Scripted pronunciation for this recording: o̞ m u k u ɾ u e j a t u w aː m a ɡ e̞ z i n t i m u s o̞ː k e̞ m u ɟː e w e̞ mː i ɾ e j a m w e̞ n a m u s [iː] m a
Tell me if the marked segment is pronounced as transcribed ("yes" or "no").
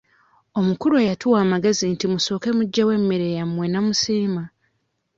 yes